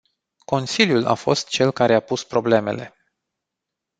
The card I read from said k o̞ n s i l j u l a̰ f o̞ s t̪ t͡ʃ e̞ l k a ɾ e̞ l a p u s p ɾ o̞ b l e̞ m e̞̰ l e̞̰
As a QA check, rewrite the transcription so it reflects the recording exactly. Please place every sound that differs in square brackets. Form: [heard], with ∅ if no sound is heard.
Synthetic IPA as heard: k o̞ n s i l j u l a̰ f o̞ s t̪ t͡ʃ e̞ l k a ɾ e̞ [∅] a p u s p ɾ o̞ b l e̞ m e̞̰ l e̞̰